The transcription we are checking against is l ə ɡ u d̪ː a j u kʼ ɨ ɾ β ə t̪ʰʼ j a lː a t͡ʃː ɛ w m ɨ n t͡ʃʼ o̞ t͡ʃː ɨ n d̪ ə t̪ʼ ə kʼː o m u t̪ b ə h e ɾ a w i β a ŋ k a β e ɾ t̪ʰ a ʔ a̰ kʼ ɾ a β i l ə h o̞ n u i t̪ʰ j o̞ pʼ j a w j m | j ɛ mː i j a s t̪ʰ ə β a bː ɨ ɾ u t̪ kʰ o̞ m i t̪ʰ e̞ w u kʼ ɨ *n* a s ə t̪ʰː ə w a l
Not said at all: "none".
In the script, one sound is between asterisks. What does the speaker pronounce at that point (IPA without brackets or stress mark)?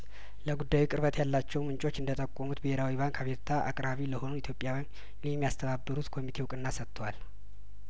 nː